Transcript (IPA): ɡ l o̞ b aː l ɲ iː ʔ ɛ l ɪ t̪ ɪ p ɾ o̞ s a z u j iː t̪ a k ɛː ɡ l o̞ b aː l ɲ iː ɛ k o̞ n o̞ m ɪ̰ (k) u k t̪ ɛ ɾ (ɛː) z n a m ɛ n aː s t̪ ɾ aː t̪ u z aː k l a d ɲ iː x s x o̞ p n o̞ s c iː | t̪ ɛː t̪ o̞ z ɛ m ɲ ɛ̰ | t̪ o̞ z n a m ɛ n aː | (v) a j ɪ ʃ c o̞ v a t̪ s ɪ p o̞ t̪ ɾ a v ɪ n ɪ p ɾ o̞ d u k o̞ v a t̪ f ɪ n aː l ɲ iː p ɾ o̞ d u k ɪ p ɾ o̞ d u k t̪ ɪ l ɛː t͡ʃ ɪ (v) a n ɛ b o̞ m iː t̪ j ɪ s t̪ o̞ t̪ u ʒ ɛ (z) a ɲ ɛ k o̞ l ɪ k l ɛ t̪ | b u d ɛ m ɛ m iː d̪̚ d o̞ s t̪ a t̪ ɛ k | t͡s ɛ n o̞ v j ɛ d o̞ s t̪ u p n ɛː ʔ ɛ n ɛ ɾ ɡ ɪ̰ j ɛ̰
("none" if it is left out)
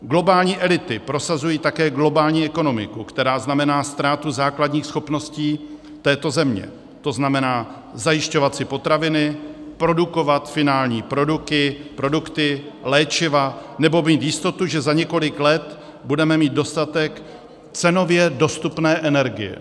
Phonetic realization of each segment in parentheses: k, aː, z, v, z

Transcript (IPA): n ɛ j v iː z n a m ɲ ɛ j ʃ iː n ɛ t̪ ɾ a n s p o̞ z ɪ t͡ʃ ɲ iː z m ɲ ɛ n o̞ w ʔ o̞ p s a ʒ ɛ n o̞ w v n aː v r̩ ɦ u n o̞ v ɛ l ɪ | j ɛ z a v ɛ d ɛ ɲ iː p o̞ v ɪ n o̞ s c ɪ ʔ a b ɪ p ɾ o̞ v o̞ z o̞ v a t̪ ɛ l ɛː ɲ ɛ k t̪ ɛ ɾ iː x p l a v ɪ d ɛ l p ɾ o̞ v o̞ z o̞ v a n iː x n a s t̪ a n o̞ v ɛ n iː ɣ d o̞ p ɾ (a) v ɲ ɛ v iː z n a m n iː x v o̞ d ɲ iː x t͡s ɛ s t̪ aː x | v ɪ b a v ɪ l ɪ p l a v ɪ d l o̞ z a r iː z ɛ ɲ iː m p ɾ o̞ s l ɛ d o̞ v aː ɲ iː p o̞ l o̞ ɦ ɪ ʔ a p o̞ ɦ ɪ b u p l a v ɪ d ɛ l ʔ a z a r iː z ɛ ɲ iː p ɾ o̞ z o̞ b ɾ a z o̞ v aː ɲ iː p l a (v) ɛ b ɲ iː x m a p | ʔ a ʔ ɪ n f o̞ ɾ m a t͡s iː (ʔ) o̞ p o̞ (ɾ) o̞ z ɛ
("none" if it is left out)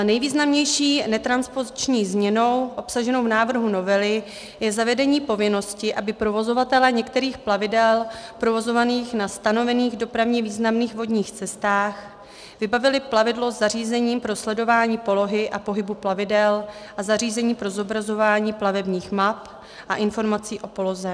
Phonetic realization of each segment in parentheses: a, v, ʔ, l

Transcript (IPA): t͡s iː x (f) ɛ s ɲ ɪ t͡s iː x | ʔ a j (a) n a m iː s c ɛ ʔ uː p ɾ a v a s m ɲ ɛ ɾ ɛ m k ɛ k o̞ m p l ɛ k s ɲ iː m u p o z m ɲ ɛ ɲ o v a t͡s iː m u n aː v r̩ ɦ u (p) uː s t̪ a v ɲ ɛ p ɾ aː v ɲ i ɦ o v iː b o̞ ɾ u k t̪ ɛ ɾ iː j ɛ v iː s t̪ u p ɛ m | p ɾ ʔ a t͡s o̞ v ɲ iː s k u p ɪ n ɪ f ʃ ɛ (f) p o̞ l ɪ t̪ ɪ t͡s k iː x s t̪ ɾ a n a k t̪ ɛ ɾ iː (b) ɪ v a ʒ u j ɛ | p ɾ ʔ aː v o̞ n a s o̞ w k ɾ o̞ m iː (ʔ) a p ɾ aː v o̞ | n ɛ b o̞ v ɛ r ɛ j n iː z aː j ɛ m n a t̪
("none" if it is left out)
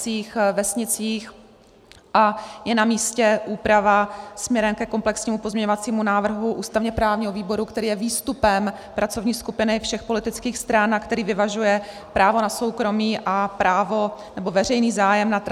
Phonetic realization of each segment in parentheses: v, ɛ, ʔ, x, v, ʔ

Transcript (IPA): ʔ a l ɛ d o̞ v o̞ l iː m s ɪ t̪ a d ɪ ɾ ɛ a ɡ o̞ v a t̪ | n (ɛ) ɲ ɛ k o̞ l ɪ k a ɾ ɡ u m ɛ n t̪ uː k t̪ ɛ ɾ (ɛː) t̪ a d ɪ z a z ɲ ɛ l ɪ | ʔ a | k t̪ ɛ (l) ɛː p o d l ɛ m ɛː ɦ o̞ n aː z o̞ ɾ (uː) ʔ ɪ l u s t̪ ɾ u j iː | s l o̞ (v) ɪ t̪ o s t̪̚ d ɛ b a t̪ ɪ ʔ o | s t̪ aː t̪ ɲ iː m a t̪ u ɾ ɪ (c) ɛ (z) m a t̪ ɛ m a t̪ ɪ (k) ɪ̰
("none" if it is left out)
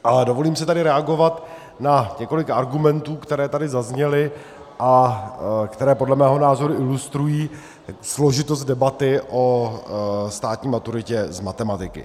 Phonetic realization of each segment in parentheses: a, ɛː, ɾ, u, ʒ, c, z, k

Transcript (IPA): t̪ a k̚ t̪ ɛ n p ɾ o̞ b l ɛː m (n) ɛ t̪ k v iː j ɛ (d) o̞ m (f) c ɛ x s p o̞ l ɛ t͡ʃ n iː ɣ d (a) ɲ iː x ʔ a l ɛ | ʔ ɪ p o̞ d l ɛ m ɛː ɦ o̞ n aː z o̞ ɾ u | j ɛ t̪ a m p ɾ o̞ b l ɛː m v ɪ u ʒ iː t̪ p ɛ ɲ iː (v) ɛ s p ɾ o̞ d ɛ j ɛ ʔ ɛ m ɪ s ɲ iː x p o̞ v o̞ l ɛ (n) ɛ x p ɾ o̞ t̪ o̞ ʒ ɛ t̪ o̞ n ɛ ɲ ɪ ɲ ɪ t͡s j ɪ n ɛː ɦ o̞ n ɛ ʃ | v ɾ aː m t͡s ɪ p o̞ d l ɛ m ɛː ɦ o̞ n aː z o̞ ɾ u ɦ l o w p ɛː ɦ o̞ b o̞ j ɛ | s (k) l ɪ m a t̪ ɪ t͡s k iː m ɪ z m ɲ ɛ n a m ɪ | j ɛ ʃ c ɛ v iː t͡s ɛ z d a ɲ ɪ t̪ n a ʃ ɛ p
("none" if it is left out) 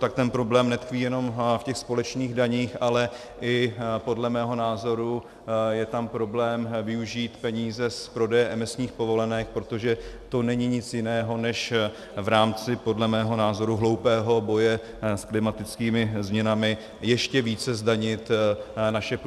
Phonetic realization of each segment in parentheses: n, n, f, a, z, n, k

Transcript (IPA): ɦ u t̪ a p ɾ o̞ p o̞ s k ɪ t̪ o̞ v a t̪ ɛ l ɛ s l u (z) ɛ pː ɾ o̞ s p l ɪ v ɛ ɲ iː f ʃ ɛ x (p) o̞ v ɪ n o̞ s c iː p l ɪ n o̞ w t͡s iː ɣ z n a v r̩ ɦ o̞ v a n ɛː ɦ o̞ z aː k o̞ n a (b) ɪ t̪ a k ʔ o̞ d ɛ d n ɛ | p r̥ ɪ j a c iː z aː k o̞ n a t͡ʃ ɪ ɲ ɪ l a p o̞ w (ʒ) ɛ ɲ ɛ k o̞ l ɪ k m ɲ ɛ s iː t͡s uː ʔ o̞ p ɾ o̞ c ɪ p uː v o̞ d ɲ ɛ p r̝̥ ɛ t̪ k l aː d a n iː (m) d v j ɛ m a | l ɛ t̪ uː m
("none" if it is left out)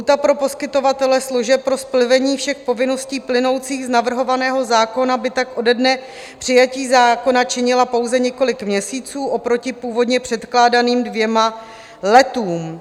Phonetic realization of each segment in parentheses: ʒ, p, b, z, m

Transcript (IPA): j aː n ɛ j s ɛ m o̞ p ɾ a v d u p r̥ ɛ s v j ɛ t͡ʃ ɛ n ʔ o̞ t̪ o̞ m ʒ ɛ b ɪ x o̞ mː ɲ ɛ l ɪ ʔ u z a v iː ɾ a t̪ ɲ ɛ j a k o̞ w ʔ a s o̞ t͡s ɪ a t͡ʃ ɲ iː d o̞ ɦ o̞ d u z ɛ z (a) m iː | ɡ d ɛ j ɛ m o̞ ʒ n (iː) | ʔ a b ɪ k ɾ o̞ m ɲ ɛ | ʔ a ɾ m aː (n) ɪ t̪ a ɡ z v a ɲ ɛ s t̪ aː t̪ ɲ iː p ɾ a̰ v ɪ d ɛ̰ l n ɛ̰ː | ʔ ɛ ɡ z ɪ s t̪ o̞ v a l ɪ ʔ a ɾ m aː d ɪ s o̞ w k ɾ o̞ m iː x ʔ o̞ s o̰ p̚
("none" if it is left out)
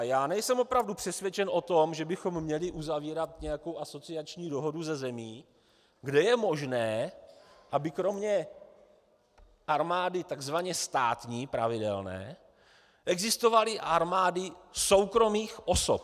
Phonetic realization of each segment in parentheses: ɛ, ɛː, d

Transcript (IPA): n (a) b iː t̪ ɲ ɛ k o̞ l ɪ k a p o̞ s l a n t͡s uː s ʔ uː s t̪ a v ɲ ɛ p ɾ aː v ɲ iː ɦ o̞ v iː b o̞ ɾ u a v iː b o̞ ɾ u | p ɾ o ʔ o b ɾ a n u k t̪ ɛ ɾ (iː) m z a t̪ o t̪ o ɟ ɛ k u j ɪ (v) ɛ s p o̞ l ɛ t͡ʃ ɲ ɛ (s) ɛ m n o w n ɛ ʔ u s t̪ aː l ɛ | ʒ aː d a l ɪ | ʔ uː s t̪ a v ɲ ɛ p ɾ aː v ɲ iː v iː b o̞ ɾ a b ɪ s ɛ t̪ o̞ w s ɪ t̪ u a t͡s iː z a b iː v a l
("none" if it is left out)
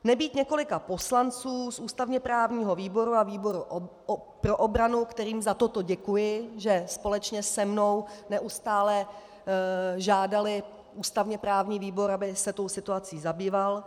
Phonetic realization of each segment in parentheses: ɛ, iː, ʒ, s

